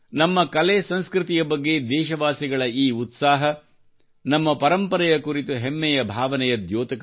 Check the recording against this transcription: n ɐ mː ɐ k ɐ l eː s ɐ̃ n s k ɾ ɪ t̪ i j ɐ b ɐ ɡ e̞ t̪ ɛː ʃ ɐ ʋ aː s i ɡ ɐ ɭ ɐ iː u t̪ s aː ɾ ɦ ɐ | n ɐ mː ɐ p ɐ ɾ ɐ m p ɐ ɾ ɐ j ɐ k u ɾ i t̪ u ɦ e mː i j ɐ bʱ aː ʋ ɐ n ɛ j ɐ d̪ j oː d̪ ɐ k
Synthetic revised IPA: n ɐ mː ɐ k ɐ l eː s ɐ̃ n s k ɾ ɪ t̪ i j ɐ b ɐ ɡː e̞ d̪ ɛː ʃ ɐ ʋ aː s i ɡ ɐ ɭ ɐ iː u t̪ s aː ɦ ɐ | n ɐ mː ɐ p ɐ ɾ ɐ m p ɐ ɾ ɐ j ɐ k u ɾ i t̪ u ɦ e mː ɛ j ɐ bʱ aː ʋ ɐ n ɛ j ɐ d̪ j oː t̪ ɐ k